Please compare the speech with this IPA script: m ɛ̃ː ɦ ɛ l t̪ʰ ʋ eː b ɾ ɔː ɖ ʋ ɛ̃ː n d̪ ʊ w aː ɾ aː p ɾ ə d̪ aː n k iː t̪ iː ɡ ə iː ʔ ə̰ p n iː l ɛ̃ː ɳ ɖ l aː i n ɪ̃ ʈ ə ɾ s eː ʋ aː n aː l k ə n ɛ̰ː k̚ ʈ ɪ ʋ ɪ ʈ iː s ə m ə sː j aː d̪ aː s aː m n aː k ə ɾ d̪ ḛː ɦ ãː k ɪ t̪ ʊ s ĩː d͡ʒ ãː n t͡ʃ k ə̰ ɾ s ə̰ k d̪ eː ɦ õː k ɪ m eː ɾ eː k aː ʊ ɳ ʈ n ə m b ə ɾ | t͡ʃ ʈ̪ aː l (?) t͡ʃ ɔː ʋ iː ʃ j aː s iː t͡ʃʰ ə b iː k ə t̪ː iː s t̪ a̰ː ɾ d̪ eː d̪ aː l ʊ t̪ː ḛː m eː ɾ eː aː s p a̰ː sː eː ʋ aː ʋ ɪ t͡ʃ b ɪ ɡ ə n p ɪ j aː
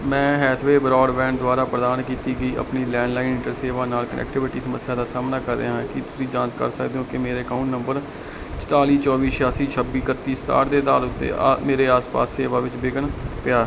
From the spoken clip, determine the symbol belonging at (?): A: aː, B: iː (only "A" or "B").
B